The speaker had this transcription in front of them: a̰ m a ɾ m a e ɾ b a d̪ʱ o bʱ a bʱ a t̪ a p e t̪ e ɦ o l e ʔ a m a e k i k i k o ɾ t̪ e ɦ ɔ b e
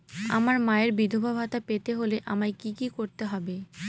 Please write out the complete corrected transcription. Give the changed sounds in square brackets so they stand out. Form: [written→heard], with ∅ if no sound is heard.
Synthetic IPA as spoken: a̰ m a ɾ m a e ɾ b [a→i] d̪ʱ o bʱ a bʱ a t̪ a p e t̪ e ɦ o l e ʔ a m a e k i k i k o ɾ t̪ e ɦ ɔ b e